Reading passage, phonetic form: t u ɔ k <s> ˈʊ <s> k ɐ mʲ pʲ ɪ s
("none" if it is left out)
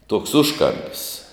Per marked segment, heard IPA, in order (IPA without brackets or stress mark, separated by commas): s, ʃ